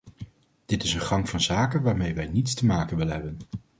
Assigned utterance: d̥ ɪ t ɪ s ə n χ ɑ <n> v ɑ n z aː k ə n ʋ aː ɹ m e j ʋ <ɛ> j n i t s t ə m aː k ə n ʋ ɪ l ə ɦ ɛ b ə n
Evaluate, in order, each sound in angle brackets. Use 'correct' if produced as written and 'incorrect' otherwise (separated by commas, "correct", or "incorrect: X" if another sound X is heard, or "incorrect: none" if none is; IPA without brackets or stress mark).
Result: incorrect: ŋ, correct